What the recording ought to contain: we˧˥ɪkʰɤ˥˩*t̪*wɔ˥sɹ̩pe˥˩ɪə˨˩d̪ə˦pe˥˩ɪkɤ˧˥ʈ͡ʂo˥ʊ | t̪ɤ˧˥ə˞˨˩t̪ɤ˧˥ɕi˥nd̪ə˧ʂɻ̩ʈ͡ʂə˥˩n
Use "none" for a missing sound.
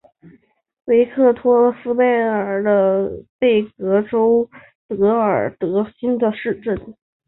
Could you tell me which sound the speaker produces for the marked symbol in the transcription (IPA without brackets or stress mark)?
t̪ʰ